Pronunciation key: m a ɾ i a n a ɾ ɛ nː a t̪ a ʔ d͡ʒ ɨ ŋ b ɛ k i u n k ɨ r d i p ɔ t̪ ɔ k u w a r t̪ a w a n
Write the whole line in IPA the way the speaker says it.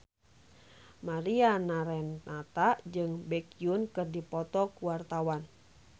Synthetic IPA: m a ɾ i a n a ɾ ɛ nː a t̪ a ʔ d͡ʒ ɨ ŋ b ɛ k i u n k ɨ r d i p ɔ t̪ ɔ k u w a r t̪ a w a n